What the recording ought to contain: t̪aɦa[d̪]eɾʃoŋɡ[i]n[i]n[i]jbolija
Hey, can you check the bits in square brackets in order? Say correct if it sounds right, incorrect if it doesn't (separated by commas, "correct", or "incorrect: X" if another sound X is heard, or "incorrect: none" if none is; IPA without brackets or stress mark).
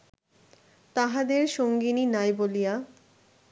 correct, correct, correct, incorrect: a